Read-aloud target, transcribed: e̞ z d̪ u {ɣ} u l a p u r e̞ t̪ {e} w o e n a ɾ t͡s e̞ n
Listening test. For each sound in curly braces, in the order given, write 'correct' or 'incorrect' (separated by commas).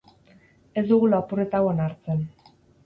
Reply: correct, incorrect